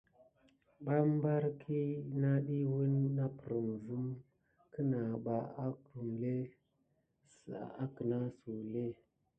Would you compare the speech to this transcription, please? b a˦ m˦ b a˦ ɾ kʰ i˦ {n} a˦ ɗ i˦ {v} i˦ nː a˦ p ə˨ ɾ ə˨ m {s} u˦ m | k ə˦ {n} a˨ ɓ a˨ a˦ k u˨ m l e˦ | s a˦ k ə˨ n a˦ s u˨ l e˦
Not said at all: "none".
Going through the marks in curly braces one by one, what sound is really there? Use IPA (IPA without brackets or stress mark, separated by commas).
n, w, z, n